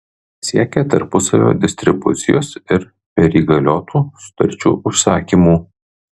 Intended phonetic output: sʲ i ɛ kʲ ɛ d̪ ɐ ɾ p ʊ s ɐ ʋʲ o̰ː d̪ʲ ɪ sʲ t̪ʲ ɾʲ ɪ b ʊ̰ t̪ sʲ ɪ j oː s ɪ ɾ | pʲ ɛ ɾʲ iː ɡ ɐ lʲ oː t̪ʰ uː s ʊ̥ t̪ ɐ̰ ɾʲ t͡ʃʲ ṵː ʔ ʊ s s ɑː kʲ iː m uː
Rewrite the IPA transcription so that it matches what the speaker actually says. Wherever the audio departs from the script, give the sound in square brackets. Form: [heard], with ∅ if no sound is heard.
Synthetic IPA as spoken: sʲ i ɛ kʲ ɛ [t̪] ɐ ɾ p ʊ s ɐ ʋʲ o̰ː d̪ʲ ɪ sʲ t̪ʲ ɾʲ ɪ b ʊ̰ t̪ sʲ ɪ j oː s ɪ ɾ | pʲ ɛ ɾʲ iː ɡ ɐ lʲ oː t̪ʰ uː s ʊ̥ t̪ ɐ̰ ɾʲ t͡ʃʲ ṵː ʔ ʊ [ʃ] s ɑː kʲ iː m uː